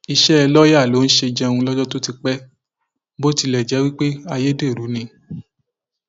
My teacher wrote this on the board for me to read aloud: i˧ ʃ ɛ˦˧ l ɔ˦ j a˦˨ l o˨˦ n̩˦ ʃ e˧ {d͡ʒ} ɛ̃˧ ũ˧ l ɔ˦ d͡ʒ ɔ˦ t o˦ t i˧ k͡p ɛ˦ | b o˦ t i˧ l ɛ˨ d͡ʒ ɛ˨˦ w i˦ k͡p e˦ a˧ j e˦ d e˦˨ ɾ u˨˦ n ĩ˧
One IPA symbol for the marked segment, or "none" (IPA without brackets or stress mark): d͡ʒ